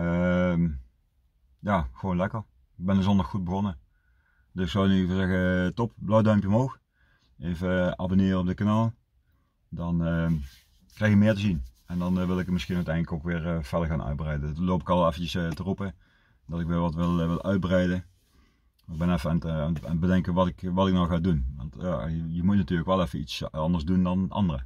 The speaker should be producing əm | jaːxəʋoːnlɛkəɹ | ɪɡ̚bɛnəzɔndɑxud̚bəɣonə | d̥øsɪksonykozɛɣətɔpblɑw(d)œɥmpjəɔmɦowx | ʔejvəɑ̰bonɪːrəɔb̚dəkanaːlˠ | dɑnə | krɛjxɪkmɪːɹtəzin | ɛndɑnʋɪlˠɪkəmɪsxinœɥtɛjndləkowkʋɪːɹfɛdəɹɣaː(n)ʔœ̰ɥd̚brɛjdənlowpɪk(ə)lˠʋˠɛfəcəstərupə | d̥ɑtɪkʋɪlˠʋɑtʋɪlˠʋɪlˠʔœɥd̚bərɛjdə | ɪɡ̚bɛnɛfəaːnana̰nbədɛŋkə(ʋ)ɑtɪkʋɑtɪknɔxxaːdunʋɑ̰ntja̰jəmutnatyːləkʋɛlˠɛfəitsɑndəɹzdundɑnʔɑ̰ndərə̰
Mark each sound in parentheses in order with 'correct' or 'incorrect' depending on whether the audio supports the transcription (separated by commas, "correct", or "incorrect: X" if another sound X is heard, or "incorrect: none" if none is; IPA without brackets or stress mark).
correct, correct, incorrect: ɑ, correct